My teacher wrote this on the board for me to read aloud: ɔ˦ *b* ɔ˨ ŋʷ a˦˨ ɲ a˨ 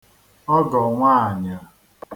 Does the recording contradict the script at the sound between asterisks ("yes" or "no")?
yes